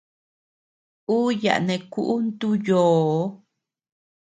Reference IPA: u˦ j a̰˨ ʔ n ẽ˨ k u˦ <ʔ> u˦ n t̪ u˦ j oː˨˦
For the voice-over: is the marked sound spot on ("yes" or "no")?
yes